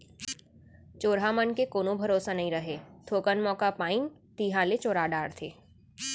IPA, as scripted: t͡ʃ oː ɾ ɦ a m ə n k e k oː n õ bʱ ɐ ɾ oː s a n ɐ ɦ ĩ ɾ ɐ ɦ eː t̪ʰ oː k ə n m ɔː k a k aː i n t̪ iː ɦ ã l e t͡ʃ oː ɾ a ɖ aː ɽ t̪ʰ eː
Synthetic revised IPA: t͡ʃ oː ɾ ɦ a m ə n k e k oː n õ bʱ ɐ ɾ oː s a n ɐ ɦ ĩ ɾ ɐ ɦ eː t̪ʰ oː k ə n m ɔː k a p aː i n t̪ iː ɦ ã l e t͡ʃ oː ɾ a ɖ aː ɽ t̪ʰ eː